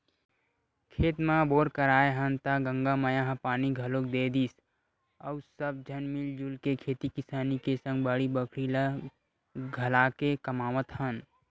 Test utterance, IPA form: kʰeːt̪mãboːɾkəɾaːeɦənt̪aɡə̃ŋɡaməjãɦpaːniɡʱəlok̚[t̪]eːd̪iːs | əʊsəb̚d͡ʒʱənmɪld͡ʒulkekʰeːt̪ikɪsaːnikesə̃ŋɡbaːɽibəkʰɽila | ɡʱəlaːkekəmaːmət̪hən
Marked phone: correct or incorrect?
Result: incorrect